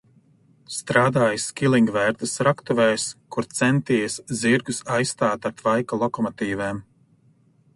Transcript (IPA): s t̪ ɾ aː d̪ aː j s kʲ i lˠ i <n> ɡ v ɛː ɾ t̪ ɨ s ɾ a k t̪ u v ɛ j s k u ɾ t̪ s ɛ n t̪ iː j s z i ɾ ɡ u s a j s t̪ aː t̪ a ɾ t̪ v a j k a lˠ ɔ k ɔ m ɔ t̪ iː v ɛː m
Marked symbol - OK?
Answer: no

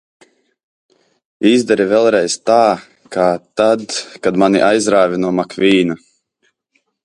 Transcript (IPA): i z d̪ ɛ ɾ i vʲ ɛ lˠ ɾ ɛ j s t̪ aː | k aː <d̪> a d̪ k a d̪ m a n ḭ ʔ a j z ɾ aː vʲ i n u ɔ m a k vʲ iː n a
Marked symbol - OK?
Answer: no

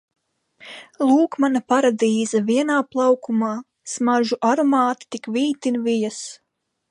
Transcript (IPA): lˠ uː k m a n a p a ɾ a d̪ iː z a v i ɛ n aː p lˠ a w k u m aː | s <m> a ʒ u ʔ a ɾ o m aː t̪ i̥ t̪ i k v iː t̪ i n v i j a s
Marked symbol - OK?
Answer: yes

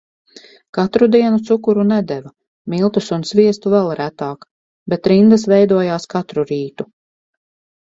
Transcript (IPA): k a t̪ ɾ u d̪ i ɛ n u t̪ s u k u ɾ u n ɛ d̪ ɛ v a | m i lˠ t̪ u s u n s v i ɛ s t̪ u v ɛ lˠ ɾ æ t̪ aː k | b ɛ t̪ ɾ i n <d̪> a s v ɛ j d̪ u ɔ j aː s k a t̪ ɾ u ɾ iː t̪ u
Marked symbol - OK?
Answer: yes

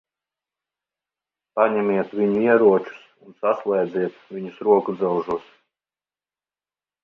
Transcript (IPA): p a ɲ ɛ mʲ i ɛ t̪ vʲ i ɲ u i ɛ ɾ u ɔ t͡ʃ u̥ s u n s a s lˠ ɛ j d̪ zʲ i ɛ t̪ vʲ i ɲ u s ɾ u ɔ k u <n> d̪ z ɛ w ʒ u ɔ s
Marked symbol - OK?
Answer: no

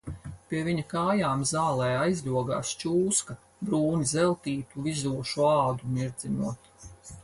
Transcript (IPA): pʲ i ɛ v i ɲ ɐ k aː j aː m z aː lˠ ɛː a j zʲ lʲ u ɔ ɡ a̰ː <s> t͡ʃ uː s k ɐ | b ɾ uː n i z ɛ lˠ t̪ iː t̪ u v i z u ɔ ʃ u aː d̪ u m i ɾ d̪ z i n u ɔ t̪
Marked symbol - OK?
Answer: yes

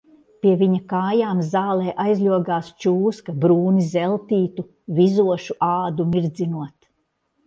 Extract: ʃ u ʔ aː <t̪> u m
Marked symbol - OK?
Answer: no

